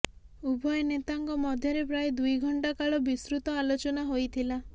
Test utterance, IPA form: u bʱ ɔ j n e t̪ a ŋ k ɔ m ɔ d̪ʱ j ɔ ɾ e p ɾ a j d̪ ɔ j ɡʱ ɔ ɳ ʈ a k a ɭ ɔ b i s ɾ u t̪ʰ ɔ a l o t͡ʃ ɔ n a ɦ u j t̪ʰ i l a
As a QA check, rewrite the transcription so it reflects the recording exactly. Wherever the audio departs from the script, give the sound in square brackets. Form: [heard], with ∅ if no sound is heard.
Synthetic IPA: u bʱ ɔ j n e t̪ a ŋ k ɔ m ɔ d̪ʱ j ɔ ɾ e p ɾ a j d̪ [u] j ɡʱ ɔ ɳ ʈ a k a ɭ ɔ b i s ɾ u [t̪] ɔ a l o t͡ʃ ɔ n a ɦ [o] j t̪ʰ i l a